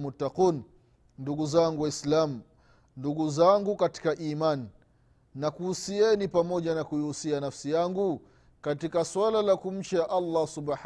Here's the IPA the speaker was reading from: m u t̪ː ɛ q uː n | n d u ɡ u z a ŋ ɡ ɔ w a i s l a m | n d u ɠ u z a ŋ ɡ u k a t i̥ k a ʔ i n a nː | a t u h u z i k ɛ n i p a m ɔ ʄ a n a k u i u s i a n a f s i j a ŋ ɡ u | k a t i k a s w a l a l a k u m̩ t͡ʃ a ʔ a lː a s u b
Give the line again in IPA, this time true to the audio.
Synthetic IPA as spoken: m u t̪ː a q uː n | n d u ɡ u z a ŋ ɡ u w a i s l a m | n d u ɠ u z a ŋ ɡ u k a t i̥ k a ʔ i m a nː | a k u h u s i ɛ n i p a m ɔ ʄ a n a k u i u s i a n a f s i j a ŋ ɡ u | k a t i k a s w a l a l a k u m̩ t͡ʃ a ʔ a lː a s u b